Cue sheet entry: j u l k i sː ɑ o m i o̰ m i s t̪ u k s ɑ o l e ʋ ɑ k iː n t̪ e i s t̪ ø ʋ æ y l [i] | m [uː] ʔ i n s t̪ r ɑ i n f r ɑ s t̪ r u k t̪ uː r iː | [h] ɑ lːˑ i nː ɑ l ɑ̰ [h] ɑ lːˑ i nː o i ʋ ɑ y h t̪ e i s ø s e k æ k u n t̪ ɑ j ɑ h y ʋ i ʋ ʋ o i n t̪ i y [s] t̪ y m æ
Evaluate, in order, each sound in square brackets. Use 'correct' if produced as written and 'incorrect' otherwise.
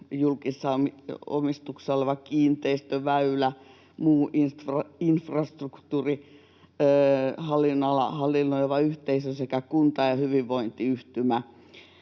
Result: incorrect: æ, correct, correct, correct, incorrect: h

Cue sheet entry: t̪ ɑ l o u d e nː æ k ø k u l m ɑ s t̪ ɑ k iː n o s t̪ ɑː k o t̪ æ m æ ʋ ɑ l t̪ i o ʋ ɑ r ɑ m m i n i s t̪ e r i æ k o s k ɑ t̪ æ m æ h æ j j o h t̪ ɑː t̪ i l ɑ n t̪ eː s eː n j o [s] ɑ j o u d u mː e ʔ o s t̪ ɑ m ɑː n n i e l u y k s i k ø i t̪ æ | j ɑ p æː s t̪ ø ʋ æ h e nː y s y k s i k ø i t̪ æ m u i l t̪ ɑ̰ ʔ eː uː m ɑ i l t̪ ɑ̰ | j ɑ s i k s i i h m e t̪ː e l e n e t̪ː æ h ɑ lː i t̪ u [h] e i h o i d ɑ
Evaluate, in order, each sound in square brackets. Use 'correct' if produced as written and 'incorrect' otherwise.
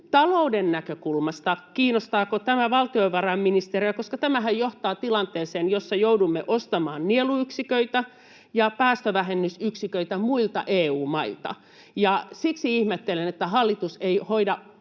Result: incorrect: sː, incorrect: s

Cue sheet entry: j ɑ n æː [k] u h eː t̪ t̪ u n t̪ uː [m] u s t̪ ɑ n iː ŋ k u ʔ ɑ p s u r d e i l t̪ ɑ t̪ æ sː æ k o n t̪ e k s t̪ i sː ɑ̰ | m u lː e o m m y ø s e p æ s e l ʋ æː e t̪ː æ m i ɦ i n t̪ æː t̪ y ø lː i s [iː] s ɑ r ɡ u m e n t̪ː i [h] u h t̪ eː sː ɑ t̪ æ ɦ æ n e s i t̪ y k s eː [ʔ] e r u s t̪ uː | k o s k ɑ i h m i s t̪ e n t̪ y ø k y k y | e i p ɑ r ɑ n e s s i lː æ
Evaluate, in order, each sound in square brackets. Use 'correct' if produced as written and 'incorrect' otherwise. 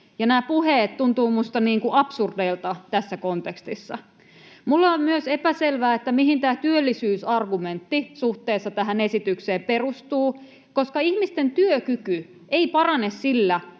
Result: incorrect: p, correct, incorrect: yː, incorrect: s, incorrect: p

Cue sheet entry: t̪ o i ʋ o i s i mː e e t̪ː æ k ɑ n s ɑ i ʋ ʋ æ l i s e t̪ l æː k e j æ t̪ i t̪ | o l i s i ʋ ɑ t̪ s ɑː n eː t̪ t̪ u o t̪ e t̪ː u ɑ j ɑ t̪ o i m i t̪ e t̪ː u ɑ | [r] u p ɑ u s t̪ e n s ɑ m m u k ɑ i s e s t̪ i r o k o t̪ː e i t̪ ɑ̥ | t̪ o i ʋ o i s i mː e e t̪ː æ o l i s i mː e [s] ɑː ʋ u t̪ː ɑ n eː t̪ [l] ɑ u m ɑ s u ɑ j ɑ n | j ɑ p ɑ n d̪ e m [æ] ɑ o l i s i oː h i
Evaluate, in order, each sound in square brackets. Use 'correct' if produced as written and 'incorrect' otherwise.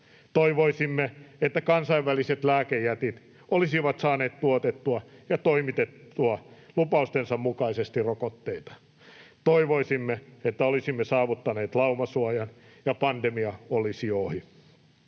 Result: incorrect: l, correct, correct, incorrect: i

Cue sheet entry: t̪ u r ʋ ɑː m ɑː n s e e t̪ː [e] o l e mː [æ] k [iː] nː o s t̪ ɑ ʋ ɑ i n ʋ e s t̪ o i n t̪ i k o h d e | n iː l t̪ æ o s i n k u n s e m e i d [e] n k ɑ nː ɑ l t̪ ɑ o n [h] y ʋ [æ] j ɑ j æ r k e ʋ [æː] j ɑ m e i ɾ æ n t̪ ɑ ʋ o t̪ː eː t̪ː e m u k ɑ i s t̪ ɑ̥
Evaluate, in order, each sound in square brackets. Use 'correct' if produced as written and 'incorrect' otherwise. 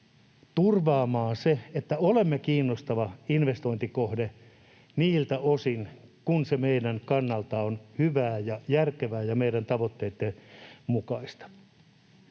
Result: incorrect: æ, incorrect: e, correct, incorrect: æ, correct, incorrect: æː, correct

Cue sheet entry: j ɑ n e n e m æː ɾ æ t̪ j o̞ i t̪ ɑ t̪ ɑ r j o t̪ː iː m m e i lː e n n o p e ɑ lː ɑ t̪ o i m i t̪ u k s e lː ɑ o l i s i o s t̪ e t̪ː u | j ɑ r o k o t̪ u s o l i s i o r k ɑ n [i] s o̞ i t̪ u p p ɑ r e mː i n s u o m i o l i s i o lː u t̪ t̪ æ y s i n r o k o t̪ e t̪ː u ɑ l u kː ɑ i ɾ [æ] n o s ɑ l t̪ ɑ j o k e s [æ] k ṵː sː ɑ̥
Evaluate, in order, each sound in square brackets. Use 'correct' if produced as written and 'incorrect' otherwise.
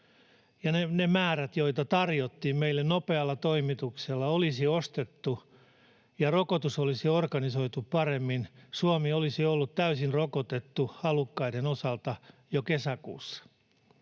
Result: correct, incorrect: e, correct

